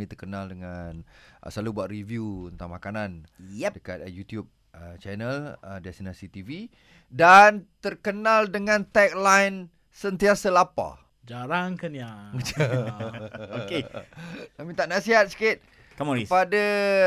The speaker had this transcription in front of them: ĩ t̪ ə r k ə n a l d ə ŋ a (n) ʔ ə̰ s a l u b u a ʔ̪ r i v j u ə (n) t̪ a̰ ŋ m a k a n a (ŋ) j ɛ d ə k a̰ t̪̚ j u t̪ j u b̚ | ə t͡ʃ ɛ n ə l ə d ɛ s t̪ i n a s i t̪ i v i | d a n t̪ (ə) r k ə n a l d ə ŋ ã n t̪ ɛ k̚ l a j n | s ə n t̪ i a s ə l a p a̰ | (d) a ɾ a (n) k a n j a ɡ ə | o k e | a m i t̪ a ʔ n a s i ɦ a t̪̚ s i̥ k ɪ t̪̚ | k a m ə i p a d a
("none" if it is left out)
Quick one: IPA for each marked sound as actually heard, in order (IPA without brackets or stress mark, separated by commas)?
n, n, n, ə, d͡ʒ, ŋ